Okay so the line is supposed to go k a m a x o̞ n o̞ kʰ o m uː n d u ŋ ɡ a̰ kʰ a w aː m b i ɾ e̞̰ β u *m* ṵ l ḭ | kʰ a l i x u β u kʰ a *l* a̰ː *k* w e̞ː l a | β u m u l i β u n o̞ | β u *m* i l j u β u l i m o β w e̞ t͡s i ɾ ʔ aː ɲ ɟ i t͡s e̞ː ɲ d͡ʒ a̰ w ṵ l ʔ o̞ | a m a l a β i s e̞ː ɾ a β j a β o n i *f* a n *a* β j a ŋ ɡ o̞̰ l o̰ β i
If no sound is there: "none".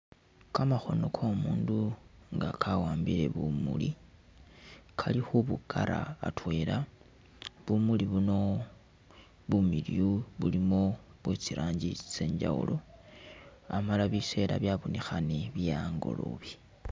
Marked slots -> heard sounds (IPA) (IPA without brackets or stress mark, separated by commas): m, ɾ, t, m, x, e